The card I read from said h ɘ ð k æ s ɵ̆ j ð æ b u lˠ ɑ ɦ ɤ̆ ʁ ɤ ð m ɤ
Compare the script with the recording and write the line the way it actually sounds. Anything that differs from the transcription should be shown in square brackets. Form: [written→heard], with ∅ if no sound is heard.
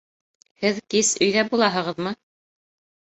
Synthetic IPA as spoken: h ɘ ð k [æ→i] s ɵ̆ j ð æ b u lˠ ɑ ɦ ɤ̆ ʁ ɤ ð m ɤ